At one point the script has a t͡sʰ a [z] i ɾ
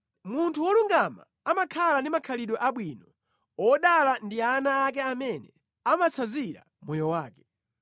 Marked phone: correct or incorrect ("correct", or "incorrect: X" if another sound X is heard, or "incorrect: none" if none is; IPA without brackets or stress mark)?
correct